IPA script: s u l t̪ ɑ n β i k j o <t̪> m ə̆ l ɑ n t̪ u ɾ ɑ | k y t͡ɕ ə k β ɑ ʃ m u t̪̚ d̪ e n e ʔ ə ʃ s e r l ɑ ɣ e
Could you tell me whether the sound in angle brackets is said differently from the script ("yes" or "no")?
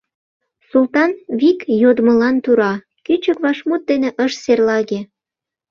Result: yes